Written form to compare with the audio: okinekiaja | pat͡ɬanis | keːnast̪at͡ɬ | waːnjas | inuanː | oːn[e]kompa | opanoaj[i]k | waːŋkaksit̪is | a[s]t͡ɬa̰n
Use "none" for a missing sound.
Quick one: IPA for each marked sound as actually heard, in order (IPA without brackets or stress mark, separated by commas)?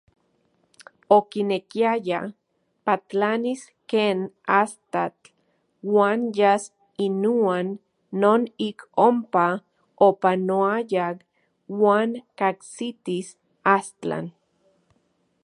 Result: i, a, s